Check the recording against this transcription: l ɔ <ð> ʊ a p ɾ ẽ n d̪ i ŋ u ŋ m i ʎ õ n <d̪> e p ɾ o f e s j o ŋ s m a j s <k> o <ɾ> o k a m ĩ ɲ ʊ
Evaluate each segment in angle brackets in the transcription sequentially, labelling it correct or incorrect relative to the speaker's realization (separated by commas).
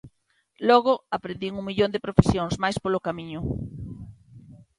incorrect, correct, incorrect, incorrect